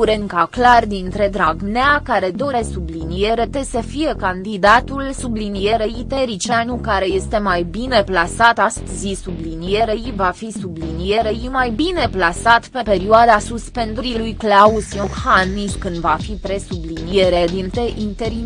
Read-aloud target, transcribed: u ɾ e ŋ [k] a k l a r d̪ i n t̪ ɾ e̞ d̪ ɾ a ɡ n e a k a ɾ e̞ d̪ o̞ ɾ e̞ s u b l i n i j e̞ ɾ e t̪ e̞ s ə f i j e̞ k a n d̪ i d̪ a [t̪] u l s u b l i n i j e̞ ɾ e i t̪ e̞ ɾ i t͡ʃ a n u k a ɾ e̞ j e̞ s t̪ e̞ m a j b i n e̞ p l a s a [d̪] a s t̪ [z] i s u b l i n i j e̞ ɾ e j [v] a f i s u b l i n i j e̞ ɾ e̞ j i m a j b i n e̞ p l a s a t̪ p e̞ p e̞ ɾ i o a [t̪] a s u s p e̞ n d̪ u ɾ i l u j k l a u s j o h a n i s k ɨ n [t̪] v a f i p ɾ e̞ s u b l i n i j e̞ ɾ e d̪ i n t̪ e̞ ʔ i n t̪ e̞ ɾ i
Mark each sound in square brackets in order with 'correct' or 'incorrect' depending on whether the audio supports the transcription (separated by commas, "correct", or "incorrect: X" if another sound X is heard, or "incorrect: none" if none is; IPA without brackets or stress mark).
correct, correct, incorrect: t̪, correct, correct, incorrect: d̪, incorrect: d̪